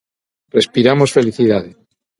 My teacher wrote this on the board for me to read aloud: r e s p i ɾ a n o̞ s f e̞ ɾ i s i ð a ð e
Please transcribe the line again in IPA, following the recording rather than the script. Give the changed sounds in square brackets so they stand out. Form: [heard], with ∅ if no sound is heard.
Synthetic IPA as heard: r e s p i ɾ a [m] o̞ s f e̞ [l] i [θ] i ð a ð e